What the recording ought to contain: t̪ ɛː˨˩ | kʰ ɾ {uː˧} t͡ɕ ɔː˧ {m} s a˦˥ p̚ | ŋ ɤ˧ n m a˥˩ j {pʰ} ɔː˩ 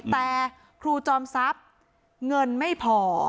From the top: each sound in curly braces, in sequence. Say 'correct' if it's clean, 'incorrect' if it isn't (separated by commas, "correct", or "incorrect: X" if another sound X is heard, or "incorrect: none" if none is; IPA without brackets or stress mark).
correct, correct, correct